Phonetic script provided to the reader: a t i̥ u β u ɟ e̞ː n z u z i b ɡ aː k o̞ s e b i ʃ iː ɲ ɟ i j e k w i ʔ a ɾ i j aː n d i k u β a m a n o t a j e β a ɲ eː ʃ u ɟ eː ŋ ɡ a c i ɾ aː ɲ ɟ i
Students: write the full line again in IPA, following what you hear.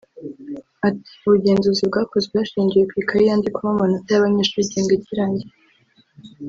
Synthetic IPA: a t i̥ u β u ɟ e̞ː n z u z i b ɡ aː k o̞ z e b a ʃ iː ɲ ɟ i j e k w i k a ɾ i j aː n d i k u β a m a n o t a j a β a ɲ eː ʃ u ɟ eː ŋ ɡ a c i ɾ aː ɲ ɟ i

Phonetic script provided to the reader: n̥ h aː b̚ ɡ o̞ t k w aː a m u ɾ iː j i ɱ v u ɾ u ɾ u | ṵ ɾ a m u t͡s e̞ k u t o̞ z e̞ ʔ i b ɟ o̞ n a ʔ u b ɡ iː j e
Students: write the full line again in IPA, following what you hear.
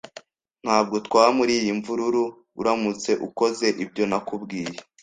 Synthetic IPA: n̥ h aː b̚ ɡ o̞ t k w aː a m u ɾ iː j i ɱ v u ɾ u ɾ u | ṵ ɾ a m u t͡s e̞ ʔ u k o̞ z e̞ ʔ i b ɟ o̞ n a k u b ɡ iː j e

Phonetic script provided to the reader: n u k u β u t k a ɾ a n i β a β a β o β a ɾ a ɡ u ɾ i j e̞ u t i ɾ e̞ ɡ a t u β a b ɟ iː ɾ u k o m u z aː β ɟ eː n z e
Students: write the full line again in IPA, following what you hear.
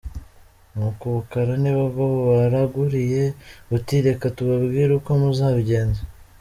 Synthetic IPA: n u k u β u k a ɾ a n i β a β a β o β a ɾ a ɡ u ɾ i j e̞ u t i ɾ e̞ k a t u β a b ɡ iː ɾ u k o m u z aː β ɟ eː n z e

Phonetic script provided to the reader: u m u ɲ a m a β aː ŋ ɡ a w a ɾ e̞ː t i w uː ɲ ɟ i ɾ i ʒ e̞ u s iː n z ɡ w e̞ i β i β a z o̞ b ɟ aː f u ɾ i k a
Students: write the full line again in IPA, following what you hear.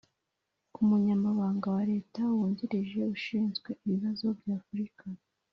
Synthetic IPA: u m u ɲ a m a β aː ŋ ɡ a w a ɾ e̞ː t a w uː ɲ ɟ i ɾ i ʒ e̞ u ʃ iː n z ɡ w e̞ i β i β a z o̞ b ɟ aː f u ɾ i k a

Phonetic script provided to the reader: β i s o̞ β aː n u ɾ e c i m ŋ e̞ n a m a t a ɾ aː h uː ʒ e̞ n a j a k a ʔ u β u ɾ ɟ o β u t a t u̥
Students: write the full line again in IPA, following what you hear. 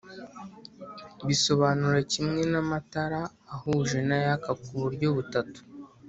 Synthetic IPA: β i s o̞ β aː n u ɾ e c i m ŋ e̞ n a m a t a ɾ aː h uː ʒ e̞ n a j a k a k u β u ɾ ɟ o β u t a t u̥

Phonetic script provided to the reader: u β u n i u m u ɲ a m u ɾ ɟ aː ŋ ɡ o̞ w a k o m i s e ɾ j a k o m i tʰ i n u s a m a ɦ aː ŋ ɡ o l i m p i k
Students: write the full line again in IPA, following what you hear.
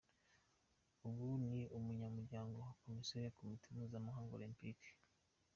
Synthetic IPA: u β u n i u m u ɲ a m u ɾ ɟ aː ŋ ɡ o̞ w a k o m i s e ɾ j a k o m i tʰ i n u z a m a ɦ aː ŋ ɡ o l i m p i k

